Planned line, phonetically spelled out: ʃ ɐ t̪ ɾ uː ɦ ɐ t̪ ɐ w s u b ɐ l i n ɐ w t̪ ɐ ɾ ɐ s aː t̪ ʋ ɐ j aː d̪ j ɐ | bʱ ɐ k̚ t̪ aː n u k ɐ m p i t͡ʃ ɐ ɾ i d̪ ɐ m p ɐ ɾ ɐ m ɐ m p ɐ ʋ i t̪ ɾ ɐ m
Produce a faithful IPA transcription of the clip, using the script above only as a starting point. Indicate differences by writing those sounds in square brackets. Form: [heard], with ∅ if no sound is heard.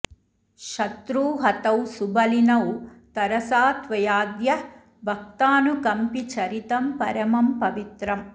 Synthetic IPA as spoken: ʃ ɐ t̪ ɾ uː ɦ ɐ t̪ ɐ w s u b ɐ l i n ɐ w t̪ ɐ ɾ ɐ s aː t̪ ʋ ɐ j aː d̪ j ɐ | bʱ ɐ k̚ t̪ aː n u k ɐ m p i t͡ʃ ɐ ɾ i [t̪] ɐ m p ɐ ɾ ɐ m ɐ m p ɐ ʋ i t̪ ɾ ɐ m